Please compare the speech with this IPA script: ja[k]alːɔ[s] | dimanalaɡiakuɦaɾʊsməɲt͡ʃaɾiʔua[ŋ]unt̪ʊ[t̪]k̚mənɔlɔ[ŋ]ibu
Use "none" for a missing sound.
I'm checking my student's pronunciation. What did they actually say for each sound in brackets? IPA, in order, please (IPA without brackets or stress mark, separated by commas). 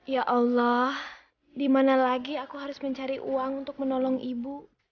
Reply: ʔ, h, ŋ, none, ŋ